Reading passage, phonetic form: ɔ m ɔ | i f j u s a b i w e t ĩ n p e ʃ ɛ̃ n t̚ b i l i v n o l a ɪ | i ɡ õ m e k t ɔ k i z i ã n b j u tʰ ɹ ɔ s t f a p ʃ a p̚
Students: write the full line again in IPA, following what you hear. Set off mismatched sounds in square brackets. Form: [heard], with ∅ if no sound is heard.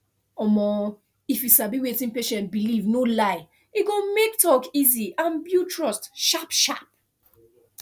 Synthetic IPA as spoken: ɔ m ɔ | i f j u s a b i w e t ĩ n p e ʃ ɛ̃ n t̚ b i l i v n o l a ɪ | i ɡ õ m e k t ɔ k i z i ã n b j u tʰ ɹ ɔ s t [ʃ] a p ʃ a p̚